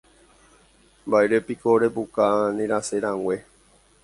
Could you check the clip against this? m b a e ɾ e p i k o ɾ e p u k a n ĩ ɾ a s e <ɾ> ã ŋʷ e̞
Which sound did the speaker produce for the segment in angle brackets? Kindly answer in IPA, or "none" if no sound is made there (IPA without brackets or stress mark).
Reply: ɾ